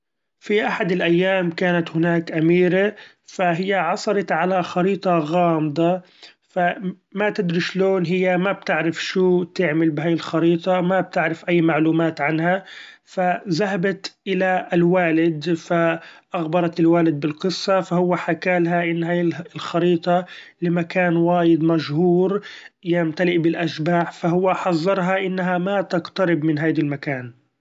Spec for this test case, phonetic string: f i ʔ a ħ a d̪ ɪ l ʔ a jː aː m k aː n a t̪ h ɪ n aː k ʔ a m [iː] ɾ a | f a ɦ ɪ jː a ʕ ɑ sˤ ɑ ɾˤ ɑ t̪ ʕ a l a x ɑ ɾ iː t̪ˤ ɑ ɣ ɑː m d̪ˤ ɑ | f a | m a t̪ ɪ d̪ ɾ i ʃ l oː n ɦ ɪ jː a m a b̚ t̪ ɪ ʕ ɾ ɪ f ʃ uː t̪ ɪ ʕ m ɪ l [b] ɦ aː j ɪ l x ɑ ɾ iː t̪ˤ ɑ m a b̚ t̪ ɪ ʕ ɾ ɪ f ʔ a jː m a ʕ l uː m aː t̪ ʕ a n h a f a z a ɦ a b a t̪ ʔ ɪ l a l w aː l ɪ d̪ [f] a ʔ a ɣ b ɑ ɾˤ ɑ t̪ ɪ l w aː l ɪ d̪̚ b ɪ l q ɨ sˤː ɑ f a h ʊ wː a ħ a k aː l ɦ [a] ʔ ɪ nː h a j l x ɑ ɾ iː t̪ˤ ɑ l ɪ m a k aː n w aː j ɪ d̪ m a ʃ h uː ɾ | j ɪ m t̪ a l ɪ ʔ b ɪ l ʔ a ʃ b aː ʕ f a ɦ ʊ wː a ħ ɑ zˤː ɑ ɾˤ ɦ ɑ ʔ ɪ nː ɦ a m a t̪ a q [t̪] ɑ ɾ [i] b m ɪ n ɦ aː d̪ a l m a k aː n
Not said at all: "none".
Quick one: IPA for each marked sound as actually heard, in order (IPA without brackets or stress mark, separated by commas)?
iː, b, f, a, t̪, ɪ